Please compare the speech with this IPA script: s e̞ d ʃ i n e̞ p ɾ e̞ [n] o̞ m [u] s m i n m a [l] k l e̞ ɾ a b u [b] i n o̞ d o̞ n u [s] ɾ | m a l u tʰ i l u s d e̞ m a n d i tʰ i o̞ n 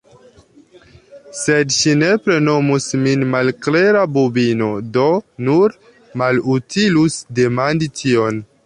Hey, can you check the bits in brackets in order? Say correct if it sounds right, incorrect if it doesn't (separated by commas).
correct, correct, correct, correct, incorrect